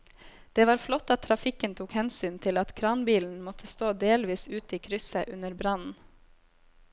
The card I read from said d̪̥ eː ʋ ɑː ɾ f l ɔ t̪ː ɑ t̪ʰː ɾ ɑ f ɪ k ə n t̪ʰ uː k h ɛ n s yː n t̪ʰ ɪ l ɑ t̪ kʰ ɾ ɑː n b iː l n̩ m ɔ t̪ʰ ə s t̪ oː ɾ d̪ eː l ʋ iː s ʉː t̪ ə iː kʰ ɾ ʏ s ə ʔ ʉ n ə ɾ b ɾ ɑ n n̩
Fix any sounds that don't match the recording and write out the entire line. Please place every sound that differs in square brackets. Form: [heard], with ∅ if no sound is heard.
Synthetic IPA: d̪̥ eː ʋ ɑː ɾ f l ɔ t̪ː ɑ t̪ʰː ɾ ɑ f ɪ k ə n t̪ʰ uː k h ɛ n s yː n t̪ʰ ɪ l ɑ t̪ kʰ ɾ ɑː n b iː l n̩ m ɔ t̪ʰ ə s t̪ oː [∅] d̪ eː l ʋ iː s ʉː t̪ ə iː kʰ ɾ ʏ s ə ʔ ʉ n ə ɾ b ɾ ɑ n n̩